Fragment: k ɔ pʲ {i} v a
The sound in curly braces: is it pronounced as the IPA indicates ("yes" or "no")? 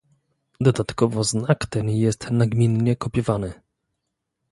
no